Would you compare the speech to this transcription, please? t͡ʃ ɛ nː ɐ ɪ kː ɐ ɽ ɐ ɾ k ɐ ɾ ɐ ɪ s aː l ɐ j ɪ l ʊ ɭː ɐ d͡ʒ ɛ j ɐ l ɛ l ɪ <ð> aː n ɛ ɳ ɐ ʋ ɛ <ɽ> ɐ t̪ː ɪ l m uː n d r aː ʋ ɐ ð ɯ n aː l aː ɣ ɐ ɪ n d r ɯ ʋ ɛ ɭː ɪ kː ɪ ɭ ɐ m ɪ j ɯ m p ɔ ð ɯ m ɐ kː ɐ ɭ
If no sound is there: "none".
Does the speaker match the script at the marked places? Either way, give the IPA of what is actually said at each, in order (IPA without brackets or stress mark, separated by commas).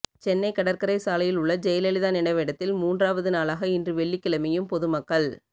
ð, ɽ